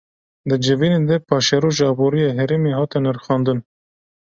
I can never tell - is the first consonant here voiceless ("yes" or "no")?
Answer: no